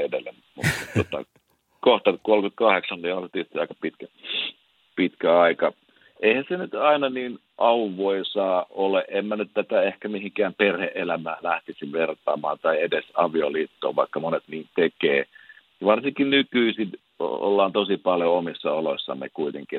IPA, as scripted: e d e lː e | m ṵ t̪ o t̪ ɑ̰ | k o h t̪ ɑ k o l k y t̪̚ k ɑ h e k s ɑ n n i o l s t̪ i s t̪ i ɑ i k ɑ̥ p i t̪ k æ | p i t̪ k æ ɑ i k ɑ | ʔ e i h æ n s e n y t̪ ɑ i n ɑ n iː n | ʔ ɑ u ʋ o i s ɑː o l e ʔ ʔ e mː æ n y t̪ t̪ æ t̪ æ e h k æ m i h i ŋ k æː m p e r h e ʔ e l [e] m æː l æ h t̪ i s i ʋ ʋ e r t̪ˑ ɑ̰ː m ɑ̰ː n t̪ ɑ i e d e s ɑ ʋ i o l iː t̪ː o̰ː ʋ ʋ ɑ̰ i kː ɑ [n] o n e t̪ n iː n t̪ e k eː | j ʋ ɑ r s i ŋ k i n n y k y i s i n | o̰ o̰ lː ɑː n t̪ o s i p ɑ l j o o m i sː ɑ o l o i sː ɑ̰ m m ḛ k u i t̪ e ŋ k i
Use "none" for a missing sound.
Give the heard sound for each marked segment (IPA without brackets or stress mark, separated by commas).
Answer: æ, m